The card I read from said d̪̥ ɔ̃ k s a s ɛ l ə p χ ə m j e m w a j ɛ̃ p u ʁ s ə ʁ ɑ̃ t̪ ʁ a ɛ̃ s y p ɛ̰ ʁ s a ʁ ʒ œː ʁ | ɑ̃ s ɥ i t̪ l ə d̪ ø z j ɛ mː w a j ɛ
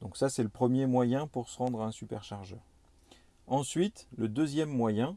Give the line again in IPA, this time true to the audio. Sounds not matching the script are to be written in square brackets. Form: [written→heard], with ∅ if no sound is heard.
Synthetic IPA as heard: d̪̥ ɔ̃ k s a s ɛ l ə p χ ə m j e m w a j ɛ̃ p u ʁ s ə ʁ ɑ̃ [t̪→d̪] ʁ a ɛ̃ s y p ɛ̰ ʁ [s→ʃ] a ʁ ʒ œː ʁ | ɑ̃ s ɥ i t̪ l ə d̪ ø z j ɛ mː w a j [ɛ→ɛ̃]